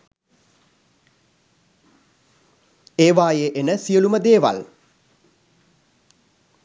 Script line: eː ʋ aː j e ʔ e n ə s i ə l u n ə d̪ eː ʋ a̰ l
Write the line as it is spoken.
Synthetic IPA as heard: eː ʋ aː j e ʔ e n ə s i ə l u m ə d̪ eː ʋ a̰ l